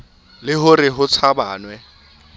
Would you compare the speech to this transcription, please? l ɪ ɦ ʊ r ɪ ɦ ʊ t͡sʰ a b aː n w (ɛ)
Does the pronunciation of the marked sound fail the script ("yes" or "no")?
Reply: no